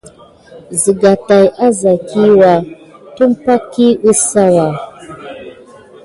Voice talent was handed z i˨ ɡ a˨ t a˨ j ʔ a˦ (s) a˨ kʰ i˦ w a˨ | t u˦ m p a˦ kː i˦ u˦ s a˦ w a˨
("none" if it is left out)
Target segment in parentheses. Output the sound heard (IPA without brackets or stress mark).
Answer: z